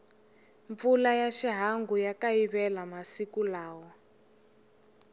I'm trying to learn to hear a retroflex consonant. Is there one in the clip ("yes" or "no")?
no